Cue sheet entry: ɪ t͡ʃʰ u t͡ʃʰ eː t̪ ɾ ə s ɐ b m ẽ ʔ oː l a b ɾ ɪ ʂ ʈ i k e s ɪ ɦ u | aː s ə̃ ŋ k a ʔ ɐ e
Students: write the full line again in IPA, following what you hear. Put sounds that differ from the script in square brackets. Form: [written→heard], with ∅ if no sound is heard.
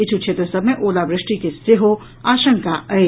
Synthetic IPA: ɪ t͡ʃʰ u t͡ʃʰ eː t̪ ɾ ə s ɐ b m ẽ ʔ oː l a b ɾ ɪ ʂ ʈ i k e s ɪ ɦ [u→o] | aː [s→ʃ] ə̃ ŋ k a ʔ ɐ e

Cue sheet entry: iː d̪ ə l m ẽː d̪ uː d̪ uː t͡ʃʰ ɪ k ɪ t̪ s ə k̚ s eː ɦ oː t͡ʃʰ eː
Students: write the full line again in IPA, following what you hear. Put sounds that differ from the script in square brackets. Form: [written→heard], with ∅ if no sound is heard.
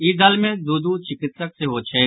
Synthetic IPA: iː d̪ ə l m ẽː d̪ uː d̪ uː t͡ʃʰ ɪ k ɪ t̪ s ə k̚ s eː ɦ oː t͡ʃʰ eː

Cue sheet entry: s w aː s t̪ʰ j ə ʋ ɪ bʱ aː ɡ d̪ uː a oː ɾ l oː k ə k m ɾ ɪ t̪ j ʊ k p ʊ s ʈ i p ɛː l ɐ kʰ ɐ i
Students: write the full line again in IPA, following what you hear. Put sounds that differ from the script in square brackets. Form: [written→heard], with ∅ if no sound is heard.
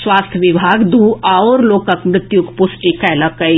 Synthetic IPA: s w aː s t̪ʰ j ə ʋ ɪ bʱ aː ɡ d̪ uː a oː ɾ l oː k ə k m ɾ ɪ t̪ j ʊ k p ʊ s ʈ i [p→k] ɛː l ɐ [kʰ→k] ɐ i

